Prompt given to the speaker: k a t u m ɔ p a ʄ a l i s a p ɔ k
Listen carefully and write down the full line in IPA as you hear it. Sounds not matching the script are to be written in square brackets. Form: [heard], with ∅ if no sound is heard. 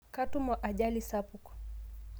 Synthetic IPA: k a t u m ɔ [ʔ] a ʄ a l i s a p [u] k